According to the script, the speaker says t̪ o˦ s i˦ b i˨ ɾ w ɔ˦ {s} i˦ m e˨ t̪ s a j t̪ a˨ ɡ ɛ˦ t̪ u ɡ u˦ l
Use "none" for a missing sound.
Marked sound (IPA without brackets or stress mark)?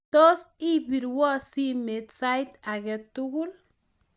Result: s